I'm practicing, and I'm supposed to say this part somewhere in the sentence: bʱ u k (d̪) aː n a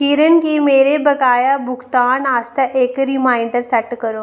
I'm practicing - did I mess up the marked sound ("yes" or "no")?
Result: yes